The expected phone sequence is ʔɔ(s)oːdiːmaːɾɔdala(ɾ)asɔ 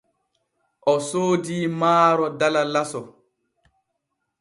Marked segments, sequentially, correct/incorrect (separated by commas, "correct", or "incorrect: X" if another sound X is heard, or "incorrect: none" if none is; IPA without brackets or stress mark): correct, incorrect: l